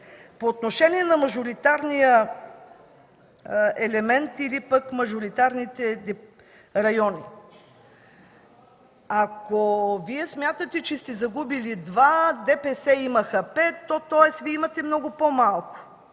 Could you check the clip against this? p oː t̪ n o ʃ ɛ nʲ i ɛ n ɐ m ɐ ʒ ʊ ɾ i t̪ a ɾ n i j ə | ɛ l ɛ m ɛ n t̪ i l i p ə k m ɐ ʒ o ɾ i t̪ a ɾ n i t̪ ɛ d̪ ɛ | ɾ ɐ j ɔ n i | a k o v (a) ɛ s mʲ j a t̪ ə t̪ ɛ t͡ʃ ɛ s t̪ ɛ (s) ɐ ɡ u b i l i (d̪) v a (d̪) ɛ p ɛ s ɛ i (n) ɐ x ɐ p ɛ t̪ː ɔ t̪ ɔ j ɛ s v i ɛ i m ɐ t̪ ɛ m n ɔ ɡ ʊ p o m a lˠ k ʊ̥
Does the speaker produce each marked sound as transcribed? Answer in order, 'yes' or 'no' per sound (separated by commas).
no, no, yes, yes, no